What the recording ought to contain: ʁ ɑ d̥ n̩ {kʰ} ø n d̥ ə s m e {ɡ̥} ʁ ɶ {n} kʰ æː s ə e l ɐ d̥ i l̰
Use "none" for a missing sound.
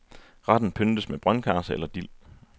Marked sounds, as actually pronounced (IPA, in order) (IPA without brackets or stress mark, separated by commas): pʰ, b̥, n